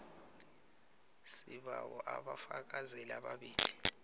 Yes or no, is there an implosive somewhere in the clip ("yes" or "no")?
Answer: yes